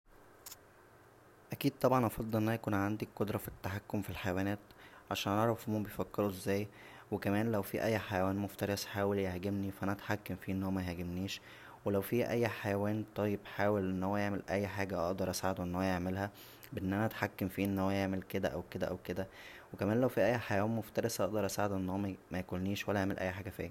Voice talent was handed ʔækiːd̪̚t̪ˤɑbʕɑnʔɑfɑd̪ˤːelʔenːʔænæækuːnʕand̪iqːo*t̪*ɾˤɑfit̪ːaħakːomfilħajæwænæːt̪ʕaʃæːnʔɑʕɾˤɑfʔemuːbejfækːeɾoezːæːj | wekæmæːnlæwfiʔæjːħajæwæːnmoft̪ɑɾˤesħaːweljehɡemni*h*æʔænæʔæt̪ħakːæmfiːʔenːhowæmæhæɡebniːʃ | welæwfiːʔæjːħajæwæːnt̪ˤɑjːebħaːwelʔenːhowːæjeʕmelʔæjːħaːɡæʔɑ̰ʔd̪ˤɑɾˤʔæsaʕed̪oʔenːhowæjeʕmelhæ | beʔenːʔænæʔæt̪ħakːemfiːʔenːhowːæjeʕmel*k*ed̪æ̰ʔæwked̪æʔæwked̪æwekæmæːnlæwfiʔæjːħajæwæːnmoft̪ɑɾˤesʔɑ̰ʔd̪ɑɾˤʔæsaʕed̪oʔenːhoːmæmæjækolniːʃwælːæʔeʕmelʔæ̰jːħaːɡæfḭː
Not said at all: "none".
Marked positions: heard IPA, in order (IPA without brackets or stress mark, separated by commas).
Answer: d̪, f, k